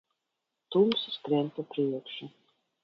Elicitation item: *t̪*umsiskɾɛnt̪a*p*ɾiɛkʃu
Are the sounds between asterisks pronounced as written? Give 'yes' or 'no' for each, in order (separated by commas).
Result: yes, yes